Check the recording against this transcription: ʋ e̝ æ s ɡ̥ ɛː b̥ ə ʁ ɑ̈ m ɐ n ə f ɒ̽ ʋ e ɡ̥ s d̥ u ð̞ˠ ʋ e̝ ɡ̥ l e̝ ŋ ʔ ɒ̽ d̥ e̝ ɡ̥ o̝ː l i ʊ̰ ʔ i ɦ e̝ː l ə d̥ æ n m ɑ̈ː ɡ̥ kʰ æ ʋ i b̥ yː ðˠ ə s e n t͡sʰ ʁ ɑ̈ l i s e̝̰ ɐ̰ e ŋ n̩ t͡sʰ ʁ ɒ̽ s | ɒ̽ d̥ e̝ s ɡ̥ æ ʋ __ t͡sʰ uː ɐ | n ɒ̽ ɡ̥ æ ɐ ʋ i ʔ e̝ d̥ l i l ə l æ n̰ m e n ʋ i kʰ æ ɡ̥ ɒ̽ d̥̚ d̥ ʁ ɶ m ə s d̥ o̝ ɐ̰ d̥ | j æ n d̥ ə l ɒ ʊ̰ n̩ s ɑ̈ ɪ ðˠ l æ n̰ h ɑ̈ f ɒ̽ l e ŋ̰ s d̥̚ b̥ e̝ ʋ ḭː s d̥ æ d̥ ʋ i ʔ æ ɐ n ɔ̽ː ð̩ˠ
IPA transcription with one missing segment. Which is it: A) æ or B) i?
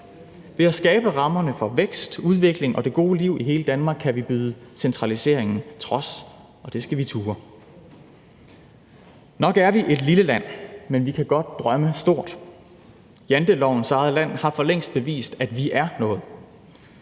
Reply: B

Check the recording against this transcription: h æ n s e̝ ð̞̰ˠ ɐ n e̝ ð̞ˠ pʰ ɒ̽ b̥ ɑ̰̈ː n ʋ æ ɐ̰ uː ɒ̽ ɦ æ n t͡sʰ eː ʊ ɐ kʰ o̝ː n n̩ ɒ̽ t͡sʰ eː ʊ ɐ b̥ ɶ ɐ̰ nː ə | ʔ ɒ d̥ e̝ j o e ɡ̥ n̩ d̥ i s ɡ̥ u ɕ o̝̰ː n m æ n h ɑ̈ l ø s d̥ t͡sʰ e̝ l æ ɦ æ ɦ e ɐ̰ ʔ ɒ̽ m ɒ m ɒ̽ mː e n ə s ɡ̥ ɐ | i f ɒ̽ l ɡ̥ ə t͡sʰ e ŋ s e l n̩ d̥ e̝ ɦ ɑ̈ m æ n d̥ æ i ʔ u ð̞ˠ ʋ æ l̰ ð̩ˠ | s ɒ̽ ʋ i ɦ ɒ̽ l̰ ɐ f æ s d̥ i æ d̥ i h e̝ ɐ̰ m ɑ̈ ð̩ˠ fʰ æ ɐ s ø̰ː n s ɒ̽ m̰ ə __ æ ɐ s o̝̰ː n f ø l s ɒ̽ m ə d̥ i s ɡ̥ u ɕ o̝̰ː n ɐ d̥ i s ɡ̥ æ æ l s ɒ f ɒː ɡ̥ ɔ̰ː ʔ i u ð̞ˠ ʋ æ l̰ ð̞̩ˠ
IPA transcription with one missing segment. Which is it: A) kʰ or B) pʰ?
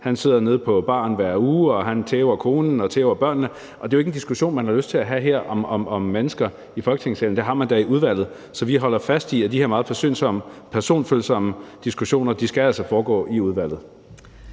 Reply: B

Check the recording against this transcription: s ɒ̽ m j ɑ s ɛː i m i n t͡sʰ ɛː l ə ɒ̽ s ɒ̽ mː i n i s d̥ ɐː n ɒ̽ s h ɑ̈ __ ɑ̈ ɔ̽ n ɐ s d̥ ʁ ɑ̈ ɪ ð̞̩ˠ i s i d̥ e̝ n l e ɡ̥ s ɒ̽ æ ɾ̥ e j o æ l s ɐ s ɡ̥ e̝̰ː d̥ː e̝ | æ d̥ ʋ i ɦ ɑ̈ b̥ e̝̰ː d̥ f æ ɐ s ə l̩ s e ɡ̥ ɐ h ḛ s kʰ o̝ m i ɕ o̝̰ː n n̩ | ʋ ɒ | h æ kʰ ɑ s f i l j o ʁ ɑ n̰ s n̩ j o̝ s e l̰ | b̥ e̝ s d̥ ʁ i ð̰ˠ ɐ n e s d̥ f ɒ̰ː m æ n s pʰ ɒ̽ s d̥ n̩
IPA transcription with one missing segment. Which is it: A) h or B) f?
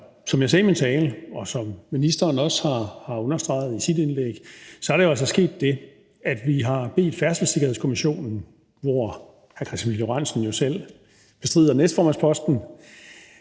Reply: A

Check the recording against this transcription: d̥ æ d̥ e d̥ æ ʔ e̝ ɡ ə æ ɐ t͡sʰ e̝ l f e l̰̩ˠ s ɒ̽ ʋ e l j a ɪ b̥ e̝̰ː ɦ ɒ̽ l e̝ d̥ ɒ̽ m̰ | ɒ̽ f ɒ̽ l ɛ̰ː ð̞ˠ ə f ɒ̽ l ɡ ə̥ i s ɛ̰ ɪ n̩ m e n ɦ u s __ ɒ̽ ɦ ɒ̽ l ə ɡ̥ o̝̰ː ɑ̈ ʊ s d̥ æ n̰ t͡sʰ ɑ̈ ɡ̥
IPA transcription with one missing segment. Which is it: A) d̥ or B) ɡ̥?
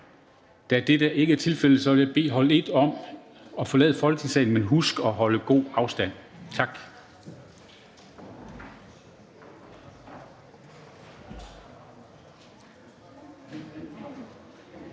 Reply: B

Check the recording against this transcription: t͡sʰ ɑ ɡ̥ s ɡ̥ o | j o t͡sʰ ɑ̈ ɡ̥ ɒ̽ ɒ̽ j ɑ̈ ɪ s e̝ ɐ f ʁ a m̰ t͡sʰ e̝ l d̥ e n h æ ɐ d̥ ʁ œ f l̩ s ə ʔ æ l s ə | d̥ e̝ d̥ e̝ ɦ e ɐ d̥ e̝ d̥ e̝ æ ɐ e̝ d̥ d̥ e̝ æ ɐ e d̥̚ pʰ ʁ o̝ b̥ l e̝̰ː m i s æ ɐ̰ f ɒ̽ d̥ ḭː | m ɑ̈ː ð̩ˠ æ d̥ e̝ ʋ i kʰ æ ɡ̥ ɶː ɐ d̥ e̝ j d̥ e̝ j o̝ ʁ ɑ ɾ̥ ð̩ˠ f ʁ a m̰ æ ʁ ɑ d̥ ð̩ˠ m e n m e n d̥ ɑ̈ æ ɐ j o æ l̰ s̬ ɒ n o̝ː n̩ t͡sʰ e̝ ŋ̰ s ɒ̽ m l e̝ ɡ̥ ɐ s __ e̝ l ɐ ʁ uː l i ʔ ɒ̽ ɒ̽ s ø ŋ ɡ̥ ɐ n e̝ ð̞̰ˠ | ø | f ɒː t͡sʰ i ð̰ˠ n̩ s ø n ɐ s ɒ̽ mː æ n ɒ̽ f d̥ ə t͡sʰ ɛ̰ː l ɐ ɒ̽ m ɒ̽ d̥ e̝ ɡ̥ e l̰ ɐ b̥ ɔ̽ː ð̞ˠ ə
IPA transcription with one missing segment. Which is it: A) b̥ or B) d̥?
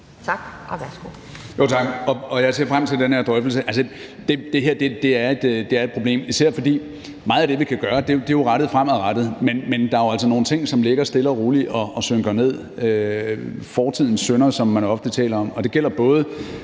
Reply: B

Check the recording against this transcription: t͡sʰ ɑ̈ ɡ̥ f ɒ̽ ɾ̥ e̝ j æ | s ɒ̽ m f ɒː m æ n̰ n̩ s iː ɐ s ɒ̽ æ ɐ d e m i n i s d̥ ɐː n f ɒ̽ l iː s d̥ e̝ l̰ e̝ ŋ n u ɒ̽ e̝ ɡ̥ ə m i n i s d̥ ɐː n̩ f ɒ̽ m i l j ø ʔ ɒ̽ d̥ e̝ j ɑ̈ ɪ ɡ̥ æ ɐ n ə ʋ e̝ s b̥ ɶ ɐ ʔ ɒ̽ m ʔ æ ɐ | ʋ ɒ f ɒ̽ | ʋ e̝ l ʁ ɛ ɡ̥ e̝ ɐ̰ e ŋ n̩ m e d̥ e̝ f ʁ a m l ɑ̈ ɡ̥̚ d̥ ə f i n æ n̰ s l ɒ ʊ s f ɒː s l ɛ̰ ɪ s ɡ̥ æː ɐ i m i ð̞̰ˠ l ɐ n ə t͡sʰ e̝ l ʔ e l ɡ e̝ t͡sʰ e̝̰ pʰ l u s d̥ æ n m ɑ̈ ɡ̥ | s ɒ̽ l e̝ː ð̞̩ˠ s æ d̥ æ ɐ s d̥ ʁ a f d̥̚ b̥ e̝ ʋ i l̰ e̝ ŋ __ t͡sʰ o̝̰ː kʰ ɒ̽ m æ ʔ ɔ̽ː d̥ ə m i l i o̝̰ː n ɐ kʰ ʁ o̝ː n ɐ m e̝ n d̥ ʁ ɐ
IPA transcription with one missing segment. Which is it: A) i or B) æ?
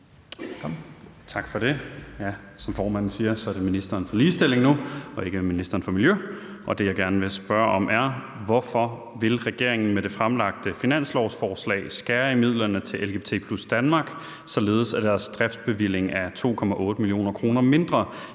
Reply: B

